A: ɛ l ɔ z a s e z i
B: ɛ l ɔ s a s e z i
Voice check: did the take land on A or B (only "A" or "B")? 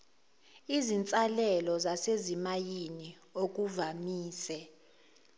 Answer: A